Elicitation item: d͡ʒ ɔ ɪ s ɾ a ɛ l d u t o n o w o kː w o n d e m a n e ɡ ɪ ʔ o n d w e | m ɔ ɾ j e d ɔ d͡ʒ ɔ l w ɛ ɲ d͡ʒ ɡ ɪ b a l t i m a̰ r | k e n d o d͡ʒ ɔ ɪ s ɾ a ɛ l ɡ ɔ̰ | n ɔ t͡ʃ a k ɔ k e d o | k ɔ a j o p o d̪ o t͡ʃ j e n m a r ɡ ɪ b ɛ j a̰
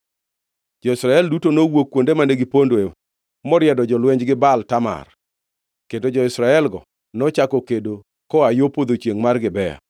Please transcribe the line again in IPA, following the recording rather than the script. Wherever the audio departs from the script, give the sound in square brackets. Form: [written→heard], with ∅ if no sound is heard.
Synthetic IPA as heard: d͡ʒ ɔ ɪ s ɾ a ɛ l d u t o n o w o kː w o n d e m a n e ɡ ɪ [ʔ→p] o n d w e | m ɔ ɾ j [e→ɛ] d ɔ d͡ʒ ɔ l w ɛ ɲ d͡ʒ ɡ ɪ b a l t [i→a] m a̰ r | k e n d o d͡ʒ ɔ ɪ s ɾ a ɛ l ɡ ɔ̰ | n ɔ t͡ʃ a k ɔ k e d o | k ɔ a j o p o d̪ o t͡ʃ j e [n→ŋ] m a r ɡ ɪ b ɛ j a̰